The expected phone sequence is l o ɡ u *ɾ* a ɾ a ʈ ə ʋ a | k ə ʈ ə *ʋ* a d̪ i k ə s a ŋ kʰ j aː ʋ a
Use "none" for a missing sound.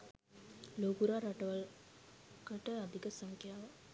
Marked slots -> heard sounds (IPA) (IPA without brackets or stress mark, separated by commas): ɾ, none